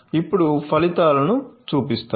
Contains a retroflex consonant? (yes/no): yes